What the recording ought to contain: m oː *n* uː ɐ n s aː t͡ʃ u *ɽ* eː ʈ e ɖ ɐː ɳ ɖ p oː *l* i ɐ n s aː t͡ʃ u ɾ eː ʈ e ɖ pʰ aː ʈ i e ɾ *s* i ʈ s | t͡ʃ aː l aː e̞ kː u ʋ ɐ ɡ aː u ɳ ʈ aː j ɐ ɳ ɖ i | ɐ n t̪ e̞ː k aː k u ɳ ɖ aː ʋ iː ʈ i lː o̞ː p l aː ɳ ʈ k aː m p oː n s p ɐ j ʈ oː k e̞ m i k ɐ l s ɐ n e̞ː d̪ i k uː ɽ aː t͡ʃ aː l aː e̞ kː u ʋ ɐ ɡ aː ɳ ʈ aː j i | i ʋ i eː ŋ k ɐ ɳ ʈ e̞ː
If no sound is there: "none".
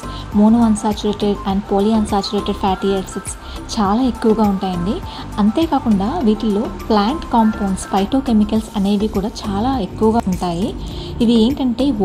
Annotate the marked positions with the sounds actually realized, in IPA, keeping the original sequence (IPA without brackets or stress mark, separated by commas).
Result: n, ɾ, l, s